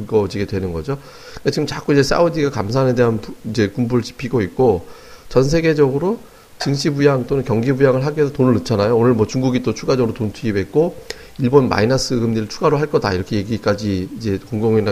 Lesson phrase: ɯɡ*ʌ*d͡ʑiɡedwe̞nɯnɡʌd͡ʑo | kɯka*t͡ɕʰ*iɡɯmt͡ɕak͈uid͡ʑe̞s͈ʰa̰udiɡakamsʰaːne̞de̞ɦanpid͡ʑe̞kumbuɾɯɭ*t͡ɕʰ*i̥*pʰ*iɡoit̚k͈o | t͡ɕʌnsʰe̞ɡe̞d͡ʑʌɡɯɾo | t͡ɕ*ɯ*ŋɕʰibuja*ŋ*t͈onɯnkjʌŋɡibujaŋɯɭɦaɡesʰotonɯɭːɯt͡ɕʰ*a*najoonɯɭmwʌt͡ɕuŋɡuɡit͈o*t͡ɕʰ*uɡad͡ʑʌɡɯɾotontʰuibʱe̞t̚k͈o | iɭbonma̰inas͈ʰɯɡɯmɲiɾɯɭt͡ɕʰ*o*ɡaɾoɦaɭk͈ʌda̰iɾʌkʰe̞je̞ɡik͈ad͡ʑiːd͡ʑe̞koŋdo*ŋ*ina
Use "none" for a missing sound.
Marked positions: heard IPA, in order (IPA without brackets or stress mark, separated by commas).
ʌ, t͡ɕ, t͡ɕ, pʰ, ɯ, ŋ, a, t͡ɕʰ, u, ŋ